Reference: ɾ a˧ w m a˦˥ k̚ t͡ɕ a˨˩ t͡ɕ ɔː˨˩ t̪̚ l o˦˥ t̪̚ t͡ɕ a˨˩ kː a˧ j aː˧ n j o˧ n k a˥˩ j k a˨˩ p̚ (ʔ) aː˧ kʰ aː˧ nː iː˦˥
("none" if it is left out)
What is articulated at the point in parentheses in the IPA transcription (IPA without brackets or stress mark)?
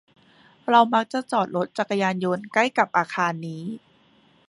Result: ʔ